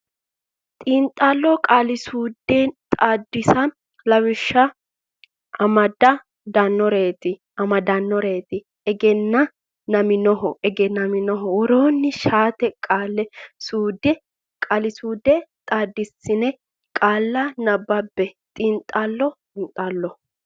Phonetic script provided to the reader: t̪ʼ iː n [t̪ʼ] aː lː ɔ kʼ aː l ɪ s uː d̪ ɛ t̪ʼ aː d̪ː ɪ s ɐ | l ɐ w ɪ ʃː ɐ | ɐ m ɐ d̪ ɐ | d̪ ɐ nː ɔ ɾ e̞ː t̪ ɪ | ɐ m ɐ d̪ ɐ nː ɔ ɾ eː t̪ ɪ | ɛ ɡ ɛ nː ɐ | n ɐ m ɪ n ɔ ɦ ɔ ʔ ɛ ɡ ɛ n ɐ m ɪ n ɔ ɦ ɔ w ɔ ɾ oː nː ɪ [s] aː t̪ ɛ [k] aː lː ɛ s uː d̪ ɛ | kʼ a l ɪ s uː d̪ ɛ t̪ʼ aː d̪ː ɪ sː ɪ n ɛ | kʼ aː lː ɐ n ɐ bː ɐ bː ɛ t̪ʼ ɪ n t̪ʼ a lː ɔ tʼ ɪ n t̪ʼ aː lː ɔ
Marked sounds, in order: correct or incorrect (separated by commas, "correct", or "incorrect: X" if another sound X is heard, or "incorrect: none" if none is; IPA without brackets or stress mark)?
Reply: correct, incorrect: ʃ, incorrect: kʼ